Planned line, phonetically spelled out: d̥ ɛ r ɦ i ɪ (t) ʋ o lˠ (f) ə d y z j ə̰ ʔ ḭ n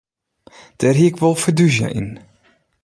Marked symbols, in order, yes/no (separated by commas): no, yes